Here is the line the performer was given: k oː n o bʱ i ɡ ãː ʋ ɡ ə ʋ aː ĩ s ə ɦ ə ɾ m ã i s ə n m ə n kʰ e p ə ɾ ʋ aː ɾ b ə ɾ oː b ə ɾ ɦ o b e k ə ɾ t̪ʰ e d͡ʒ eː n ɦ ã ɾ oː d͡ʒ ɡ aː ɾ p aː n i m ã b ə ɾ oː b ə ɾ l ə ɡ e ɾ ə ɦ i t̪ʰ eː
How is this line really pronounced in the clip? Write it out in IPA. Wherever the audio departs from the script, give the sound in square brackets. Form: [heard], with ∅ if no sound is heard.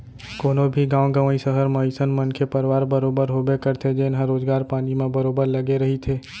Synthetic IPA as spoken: k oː n o bʱ i ɡ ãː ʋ ɡ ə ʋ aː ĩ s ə ɦ ə ɾ m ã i s ə n m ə n kʰ e p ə ɾ ʋ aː ɾ b ə ɾ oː b ə ɾ ɦ o b e k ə ɾ t̪ʰ e d͡ʒ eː n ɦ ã ɾ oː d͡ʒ ɡ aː ɾ p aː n i m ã b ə ɾ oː b ə ɾ l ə ɡ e ɾ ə ɦ i t̪ʰ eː